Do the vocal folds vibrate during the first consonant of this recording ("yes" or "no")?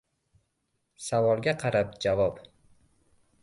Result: no